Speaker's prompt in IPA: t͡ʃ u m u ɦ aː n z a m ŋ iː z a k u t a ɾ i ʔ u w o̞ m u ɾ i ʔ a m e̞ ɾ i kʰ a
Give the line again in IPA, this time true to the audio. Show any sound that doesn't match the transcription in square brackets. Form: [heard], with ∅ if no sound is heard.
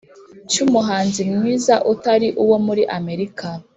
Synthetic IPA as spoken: t͡ʃ u m u ɦ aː n z [i] m ŋ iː z a [ʔ] u t a ɾ i ʔ u w o̞ m u ɾ i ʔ a m e̞ ɾ i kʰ a